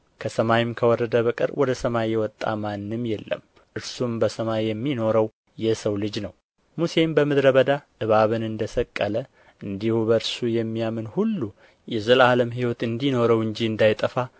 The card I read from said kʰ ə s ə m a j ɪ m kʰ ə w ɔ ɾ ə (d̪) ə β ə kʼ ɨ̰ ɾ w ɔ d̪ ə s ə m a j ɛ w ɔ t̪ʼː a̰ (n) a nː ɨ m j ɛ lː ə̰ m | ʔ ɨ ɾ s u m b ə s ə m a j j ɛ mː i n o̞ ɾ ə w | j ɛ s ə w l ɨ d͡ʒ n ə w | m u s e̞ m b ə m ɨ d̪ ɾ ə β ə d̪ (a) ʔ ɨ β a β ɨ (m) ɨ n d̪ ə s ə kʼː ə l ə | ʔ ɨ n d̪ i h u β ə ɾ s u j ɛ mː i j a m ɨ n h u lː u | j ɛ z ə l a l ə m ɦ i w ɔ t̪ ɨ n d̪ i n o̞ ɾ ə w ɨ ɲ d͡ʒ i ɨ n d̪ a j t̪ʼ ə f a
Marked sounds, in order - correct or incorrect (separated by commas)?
correct, incorrect, correct, incorrect